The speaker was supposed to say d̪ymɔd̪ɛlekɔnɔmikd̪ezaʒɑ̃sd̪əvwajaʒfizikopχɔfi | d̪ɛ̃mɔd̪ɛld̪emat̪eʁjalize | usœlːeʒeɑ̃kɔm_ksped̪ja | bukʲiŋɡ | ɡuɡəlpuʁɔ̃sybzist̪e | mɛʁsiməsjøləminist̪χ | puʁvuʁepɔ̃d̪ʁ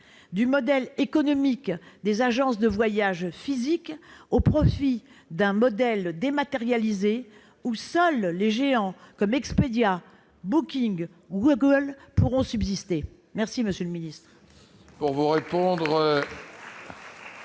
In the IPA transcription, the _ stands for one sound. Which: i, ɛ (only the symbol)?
ɛ